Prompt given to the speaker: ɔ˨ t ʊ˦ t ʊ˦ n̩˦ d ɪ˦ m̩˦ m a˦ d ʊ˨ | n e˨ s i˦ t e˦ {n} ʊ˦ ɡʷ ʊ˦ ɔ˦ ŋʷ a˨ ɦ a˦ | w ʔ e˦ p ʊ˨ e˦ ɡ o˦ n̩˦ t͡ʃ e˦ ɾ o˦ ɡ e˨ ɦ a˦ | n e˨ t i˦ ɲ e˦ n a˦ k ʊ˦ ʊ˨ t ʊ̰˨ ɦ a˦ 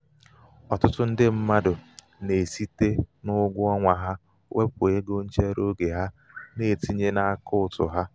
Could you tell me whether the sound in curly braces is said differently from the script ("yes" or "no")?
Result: no